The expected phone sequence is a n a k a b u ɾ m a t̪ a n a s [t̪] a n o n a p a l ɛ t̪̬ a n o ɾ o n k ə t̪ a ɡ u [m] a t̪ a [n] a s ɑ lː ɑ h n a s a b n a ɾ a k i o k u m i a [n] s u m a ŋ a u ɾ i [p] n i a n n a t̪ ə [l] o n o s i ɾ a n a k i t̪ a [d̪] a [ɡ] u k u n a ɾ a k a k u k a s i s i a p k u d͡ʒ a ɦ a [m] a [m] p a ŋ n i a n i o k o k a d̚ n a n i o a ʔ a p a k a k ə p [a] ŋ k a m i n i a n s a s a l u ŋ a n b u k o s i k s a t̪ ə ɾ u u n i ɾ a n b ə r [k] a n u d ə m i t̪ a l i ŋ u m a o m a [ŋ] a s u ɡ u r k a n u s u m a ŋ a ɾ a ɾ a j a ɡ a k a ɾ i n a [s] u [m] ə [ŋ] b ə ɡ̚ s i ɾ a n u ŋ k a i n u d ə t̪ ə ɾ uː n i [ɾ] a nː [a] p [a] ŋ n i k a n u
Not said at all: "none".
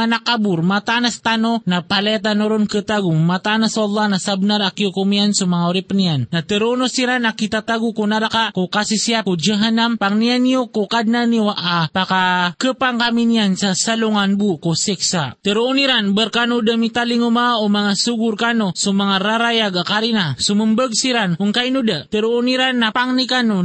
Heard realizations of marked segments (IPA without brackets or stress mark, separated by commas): t̪, m, n, n, p, ɾ, t̪, ɡ, n, m, a, k, ŋ, s, m, m, ɾ, a, a